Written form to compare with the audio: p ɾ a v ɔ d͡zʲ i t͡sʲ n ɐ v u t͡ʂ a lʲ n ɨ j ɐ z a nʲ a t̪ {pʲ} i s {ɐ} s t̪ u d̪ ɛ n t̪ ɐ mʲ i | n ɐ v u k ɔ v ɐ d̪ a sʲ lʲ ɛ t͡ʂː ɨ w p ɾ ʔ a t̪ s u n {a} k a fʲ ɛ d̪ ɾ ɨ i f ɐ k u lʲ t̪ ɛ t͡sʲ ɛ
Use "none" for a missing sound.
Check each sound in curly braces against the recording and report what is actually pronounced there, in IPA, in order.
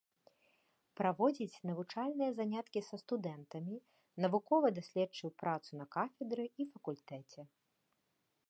kʲ, ɐ, ɐ

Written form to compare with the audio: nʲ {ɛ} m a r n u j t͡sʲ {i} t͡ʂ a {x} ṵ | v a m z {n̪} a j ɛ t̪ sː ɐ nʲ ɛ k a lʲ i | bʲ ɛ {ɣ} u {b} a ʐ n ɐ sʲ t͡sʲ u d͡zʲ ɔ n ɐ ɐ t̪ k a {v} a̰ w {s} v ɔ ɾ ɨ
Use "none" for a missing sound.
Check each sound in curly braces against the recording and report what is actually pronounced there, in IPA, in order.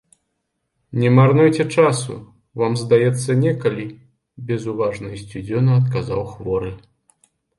ɛ, ɛ, s, d̪, z, v, z, x

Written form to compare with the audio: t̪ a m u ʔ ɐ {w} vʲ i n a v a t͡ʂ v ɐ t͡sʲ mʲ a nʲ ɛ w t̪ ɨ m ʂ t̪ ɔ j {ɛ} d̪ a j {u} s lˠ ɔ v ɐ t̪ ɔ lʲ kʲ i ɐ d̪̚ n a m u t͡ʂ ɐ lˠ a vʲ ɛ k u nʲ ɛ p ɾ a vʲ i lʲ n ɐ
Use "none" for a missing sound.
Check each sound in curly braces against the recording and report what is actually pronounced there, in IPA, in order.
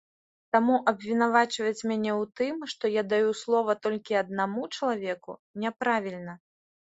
b, a, u

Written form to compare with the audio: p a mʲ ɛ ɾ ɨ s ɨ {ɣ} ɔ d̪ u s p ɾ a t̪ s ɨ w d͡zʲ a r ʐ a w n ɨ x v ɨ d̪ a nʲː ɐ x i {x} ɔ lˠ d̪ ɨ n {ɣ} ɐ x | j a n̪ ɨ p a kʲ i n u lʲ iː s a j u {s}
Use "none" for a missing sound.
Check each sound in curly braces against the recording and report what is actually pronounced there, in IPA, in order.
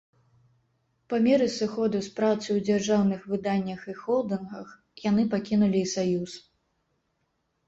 x, x, ɣ, s

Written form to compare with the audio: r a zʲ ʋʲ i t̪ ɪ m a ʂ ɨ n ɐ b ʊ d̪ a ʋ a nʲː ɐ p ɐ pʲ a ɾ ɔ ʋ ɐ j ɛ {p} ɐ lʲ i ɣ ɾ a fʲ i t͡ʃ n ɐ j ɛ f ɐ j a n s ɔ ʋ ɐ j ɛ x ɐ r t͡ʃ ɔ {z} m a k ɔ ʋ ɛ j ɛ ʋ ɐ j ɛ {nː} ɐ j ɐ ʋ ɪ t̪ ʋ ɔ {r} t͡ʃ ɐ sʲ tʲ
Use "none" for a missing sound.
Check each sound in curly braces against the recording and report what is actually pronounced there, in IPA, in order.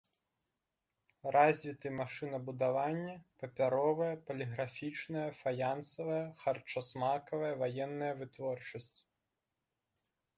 p, s, nː, r

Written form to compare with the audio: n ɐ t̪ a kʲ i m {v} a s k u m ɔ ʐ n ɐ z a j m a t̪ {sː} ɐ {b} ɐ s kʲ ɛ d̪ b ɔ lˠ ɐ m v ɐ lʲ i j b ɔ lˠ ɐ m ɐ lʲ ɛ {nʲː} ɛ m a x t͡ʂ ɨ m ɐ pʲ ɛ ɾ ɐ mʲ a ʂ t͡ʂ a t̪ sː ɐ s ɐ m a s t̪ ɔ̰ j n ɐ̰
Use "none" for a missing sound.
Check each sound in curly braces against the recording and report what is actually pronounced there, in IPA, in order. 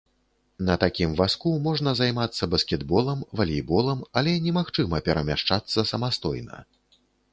v, sː, b, nʲ

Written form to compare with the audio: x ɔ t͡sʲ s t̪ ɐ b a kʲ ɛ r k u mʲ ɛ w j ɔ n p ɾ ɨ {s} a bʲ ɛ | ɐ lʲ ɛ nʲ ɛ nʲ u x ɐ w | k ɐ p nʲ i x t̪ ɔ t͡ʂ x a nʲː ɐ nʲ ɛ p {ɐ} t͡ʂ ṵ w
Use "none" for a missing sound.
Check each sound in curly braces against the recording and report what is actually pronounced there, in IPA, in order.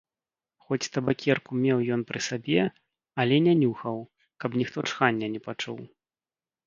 s, a

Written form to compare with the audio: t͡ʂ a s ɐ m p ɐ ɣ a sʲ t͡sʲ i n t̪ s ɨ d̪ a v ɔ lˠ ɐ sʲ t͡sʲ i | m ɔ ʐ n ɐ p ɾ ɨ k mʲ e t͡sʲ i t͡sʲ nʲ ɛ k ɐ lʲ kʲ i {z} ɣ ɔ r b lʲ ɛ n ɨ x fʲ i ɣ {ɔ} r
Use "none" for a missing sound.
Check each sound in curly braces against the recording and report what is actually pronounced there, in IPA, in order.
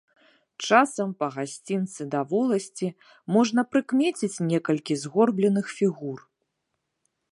z, u

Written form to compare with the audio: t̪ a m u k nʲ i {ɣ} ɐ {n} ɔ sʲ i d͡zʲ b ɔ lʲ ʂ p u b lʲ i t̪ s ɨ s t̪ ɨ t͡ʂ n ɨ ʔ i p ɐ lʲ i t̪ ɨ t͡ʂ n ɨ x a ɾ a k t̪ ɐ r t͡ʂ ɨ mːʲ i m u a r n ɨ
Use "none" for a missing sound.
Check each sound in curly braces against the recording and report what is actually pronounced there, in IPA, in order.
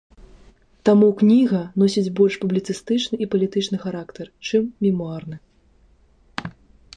ɣ, n

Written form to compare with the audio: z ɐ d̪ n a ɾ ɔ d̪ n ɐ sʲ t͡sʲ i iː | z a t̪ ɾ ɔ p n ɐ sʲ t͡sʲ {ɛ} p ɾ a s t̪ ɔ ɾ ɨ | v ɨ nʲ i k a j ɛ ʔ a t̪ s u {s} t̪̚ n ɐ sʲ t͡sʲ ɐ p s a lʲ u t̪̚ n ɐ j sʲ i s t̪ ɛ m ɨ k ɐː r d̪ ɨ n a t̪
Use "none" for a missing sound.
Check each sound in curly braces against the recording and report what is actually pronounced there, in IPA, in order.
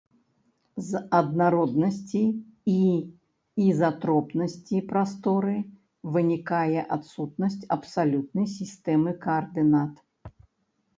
i, none

